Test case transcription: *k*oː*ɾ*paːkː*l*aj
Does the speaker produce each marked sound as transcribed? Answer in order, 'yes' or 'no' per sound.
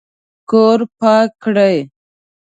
yes, yes, no

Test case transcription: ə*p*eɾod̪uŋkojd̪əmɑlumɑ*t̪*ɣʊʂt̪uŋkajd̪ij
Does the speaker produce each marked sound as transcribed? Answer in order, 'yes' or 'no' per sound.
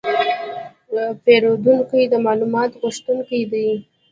yes, yes

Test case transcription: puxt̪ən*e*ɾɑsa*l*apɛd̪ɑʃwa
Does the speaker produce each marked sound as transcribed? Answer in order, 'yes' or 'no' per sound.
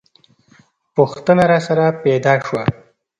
no, no

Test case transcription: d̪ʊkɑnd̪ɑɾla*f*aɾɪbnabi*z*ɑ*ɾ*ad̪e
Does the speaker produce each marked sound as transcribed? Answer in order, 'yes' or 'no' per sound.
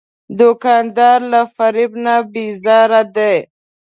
yes, yes, yes

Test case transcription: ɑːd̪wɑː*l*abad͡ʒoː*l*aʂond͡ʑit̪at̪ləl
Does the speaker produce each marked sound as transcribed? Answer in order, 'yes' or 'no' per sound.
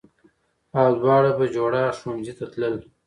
no, no

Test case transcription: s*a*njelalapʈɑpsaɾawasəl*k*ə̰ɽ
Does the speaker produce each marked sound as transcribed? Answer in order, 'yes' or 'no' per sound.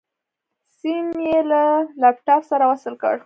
no, yes

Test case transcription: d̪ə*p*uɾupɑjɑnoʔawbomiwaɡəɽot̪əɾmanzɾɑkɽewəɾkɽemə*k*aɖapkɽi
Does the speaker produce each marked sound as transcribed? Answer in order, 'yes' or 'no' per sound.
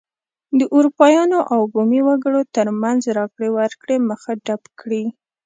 no, no

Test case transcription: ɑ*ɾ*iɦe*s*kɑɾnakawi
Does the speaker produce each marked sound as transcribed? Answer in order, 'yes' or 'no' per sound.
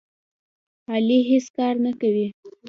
no, yes

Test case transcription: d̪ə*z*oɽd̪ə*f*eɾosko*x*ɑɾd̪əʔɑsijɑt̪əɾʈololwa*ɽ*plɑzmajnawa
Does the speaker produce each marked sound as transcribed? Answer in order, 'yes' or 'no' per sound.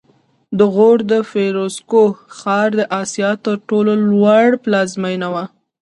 no, yes, yes, yes

